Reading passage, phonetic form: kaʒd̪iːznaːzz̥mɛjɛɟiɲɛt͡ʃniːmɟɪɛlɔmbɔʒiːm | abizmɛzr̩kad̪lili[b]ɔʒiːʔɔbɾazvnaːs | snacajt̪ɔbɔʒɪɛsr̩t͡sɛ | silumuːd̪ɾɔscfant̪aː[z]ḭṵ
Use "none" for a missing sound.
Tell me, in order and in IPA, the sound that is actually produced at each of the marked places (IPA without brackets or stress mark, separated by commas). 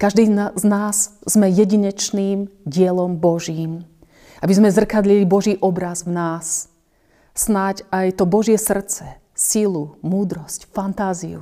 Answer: b, z